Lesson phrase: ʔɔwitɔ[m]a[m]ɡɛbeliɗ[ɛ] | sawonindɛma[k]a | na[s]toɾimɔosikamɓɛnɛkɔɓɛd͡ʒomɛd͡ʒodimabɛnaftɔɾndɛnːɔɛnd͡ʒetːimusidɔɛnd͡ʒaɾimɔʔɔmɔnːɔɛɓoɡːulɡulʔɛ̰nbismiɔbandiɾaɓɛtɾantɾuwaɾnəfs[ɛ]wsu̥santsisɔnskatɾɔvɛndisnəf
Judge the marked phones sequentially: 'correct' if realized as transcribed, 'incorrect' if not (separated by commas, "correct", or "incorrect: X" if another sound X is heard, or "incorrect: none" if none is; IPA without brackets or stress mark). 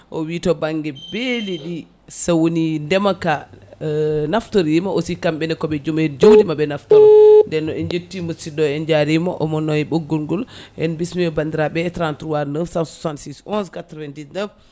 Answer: incorrect: b, incorrect: ŋ, incorrect: i, correct, incorrect: f, incorrect: a